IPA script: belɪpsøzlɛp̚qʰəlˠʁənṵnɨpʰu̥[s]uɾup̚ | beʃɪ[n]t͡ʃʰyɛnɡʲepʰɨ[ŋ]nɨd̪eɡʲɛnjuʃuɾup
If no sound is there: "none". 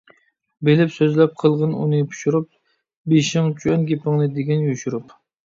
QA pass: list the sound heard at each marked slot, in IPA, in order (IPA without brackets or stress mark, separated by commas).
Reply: ʃ, ŋ, ŋ